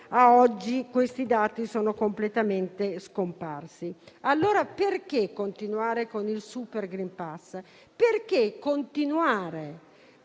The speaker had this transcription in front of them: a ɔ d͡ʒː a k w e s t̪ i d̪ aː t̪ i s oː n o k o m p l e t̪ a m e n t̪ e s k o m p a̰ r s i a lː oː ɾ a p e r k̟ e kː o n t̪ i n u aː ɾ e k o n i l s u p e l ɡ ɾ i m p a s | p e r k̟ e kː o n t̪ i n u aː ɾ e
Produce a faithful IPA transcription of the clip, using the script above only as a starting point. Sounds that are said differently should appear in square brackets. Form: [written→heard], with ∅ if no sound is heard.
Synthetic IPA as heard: a ɔ d͡ʒː [a→i] k w e s t̪ i d̪ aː t̪ i s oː n o k o m p l e t̪ a m e n t̪ e s k o m p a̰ r s i a lː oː ɾ a p e r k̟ e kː o n t̪ i n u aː ɾ e k o n i l s u p e [l→r] ɡ ɾ i m p a s | p e r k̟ e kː o n t̪ i n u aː ɾ e